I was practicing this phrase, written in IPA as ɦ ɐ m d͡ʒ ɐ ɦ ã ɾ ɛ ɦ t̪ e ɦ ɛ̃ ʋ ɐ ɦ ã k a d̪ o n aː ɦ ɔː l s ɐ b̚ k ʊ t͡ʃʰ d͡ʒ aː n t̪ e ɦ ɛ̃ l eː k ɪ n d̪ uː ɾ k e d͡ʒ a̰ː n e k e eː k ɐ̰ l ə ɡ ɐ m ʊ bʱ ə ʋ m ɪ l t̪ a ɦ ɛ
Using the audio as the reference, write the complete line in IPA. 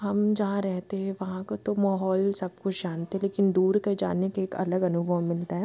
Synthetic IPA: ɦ ɐ m d͡ʒ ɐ ɦ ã ɾ ɛ ɦ t̪ e ɦ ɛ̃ ʋ ɐ ɦ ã k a t̪ o m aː ɦ ɔː l s ɐ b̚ k ʊ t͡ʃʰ d͡ʒ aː n t̪ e ɦ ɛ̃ l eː k ɪ n d̪ uː ɾ k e d͡ʒ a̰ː n e k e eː k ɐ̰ l ə ɡ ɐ n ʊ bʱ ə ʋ m ɪ l t̪ a ɦ ɛ

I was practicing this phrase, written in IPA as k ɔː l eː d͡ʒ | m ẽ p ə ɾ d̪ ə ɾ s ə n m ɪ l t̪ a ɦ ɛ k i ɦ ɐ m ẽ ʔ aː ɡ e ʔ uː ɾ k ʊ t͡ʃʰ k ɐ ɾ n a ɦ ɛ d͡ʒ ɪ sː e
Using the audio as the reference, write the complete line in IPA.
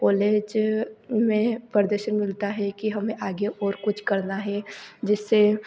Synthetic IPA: k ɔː l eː d͡ʒ | m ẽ p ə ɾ d̪ ə ɾ ʃ ə n m ɪ l t̪ a ɦ ɛ k i ɦ ɐ m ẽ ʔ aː ɡ e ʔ ɔː ɾ k ʊ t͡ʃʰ k ɐ ɾ n a ɦ ɛ d͡ʒ ɪ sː e

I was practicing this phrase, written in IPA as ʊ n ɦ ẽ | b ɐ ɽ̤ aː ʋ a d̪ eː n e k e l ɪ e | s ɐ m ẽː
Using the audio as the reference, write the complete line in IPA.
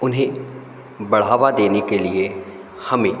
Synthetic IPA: ʊ n ɦ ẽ | b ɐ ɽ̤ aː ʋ a d̪ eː n e k e l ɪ e | h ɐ m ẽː

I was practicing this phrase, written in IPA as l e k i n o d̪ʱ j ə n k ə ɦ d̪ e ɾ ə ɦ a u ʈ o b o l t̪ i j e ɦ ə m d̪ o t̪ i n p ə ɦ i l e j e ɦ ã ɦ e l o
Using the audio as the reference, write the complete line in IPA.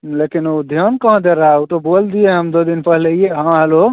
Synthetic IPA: l e k i n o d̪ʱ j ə n k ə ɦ d̪ e ɾ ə ɦ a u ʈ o b o l d̪ i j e ɦ ə m d̪ o d̪ i n p ə ɦ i l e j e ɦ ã ɦ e l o

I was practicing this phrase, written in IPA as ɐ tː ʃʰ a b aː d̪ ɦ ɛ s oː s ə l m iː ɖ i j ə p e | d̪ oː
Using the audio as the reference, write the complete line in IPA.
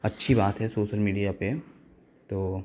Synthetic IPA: ɐ tː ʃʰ i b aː t̪ ɦ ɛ s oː ʃ ə l m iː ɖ i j a p e | t̪ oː

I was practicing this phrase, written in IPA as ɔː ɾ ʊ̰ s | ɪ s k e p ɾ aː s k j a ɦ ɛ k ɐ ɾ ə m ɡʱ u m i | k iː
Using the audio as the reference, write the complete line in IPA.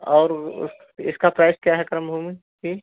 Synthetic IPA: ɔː ɾ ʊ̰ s | ɪ s k a p ɾ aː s k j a ɦ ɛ k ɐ ɾ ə m bʱ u m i | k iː

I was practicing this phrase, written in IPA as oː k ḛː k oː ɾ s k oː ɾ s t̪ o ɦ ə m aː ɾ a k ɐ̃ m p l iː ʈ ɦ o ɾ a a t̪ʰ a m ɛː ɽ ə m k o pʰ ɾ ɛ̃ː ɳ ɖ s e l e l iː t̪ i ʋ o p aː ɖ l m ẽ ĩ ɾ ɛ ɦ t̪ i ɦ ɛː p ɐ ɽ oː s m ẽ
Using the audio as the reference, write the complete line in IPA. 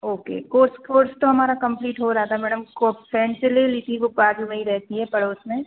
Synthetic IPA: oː k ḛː k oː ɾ s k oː ɾ s t̪ o ɦ ɐ m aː ɾ a k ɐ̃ m p l iː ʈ ɦ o ɾ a a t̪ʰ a m ɛː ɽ ə m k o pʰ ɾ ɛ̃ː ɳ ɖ s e l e l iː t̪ i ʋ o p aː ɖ l m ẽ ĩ ɾ ɛ ɦ t̪ i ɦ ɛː p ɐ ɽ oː s m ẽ

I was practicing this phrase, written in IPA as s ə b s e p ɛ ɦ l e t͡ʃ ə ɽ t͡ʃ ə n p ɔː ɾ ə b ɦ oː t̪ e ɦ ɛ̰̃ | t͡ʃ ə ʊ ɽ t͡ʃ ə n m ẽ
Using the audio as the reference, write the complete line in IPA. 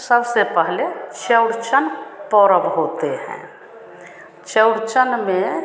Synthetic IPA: s ə b s e p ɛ ɦ l e t͡ʃ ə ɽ t͡ʃ ə n p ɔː ɾ ə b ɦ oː t̪ e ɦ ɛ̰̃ | t͡ʃ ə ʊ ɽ t͡ʃ ə n m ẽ

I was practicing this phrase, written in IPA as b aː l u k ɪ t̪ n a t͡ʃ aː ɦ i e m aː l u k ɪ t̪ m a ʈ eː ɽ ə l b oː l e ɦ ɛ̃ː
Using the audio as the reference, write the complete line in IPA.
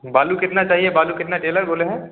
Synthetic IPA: b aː l u k ɪ t̪ n a t͡ʃ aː ɦ i e b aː l u k ɪ t̪ n a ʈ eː l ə ɾ b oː l e ɦ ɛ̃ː

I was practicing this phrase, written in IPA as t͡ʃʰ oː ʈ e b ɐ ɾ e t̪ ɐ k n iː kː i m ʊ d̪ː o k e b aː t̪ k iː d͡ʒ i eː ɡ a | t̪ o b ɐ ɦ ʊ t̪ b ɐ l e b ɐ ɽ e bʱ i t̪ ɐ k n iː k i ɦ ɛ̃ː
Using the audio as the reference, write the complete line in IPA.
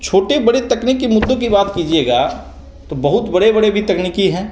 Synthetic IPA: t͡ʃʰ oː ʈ e b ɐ ɽ e t̪ ɐ k n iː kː i m ʊ d̪ː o k i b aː t̪ k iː d͡ʒ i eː ɡ a | t̪ o b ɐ ɦ ʊ t̪ b ɐ ɽ e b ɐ ɽ e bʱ i t̪ ɐ k n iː k i ɦ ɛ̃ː

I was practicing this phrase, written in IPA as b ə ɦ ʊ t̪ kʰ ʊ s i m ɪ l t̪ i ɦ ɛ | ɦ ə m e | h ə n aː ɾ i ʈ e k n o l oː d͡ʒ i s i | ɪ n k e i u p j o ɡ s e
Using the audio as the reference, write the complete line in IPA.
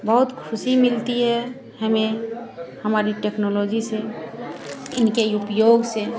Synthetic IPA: b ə ɦ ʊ t̪ kʰ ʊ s i m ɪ l t̪ i ɦ ɛ | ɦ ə m e | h ə m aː ɾ i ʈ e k n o l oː d͡ʒ i s e | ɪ n k e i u p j o ɡ s e

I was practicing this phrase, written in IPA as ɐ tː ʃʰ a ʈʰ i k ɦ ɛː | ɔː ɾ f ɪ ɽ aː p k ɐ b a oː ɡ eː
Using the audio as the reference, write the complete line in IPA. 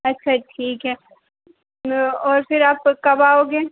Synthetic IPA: ɐ tː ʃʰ a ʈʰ iː k ɦ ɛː | ɔː ɾ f ɪ ɾ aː p k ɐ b a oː ɡ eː

